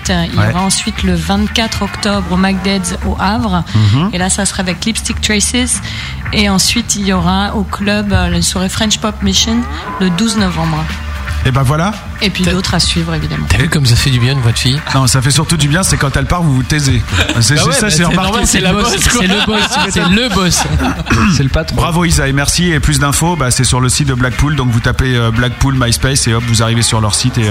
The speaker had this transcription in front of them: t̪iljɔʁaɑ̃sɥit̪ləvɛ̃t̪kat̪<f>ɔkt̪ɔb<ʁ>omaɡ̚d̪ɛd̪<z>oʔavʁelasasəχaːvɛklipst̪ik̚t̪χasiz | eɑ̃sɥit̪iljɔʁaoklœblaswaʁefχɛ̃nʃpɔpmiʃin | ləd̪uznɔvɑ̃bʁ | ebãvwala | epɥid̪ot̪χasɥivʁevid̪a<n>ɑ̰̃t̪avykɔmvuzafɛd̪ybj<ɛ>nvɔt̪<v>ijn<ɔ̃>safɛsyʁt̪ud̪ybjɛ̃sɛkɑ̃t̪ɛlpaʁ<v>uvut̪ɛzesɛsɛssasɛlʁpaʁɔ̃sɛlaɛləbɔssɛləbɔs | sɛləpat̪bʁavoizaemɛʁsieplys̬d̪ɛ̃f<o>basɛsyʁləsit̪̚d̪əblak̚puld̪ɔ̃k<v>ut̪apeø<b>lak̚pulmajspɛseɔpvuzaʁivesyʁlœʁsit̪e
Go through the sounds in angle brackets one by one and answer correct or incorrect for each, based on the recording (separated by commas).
incorrect, correct, correct, incorrect, incorrect, incorrect, correct, correct, correct, correct, correct